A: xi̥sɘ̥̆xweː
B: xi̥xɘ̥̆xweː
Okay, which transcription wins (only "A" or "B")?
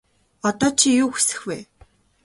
A